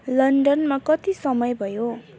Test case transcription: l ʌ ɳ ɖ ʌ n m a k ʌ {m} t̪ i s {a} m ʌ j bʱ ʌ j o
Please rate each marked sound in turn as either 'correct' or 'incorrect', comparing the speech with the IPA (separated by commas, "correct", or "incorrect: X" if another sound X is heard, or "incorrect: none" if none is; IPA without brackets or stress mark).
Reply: incorrect: none, incorrect: ʌ